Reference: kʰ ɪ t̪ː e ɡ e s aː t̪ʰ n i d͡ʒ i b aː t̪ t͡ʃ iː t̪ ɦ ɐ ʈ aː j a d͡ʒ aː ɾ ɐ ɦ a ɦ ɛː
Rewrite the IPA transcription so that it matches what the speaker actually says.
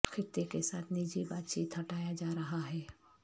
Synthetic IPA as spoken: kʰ ɪ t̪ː e k e s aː t̪ʰ n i d͡ʒ i b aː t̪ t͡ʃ iː t̪ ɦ ɐ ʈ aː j a d͡ʒ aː ɾ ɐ ɦ a ɦ ɛː